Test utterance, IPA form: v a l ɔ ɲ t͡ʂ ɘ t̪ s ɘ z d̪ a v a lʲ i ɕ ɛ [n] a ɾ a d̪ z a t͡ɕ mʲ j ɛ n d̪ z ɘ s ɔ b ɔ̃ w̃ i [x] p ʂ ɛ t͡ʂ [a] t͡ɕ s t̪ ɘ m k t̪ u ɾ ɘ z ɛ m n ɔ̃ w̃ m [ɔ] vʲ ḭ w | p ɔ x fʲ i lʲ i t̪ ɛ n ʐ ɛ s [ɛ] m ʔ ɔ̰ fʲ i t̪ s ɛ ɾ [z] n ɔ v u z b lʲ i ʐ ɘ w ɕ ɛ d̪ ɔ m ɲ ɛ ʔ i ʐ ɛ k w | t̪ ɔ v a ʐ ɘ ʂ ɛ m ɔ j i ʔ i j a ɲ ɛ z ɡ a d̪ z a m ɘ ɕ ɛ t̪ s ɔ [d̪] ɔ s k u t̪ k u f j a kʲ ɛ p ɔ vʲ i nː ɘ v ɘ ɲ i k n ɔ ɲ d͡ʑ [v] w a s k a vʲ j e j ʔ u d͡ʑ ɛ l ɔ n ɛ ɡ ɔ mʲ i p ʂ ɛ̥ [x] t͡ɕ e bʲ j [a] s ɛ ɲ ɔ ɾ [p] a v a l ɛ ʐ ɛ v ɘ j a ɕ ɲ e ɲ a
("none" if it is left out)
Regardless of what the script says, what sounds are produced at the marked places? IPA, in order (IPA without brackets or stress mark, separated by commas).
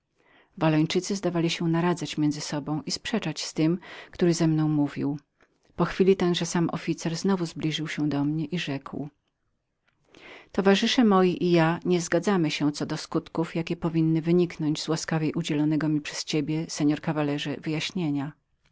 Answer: n, s, a, u, a, z, d̪, z, s, ɛ, k